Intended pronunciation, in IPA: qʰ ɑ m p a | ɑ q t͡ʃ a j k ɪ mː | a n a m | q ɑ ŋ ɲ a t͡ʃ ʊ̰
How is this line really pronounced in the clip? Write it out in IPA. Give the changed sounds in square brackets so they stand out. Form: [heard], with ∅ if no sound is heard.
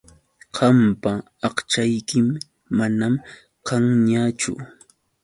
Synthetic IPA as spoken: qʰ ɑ m p a | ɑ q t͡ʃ a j k ɪ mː | a n a m | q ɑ ŋ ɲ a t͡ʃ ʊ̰